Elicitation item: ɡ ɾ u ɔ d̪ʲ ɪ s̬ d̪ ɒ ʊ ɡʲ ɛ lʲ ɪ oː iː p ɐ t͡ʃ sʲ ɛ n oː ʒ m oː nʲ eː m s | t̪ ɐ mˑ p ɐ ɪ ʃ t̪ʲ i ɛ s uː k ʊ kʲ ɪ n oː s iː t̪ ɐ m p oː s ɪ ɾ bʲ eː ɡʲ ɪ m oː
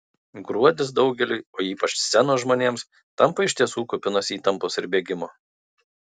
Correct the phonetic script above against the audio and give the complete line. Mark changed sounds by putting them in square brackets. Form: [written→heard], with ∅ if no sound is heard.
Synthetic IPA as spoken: ɡ ɾ u ɔ d̪ʲ ɪ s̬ d̪ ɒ ʊ ɡʲ ɛ lʲ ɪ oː iː p ɐ t͡ʃ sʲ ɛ n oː ʒ m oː nʲ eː m s | t̪ ɐ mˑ p ɐ ɪ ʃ t̪ʲ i ɛ s uː k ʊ [kʲ→pʲ] ɪ n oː s iː t̪ ɐ m p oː s ɪ ɾ bʲ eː ɡʲ ɪ m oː